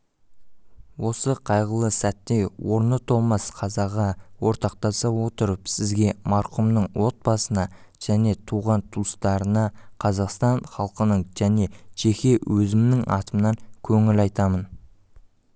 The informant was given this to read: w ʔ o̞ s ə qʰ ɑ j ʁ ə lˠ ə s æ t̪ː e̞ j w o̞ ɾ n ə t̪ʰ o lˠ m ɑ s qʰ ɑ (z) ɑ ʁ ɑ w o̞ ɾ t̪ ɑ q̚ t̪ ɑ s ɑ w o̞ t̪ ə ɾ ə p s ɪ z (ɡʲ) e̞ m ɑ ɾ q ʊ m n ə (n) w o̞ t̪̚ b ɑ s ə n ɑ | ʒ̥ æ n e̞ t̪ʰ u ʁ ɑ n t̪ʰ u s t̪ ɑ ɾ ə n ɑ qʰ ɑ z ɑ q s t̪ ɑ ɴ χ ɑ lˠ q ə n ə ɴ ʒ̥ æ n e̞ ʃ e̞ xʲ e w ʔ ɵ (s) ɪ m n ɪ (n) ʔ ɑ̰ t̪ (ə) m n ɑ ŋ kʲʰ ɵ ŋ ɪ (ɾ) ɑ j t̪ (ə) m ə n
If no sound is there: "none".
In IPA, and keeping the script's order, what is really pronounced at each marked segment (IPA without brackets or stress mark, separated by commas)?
z, ɡʲ, ɴ, z, ŋ, ə, l, ɑ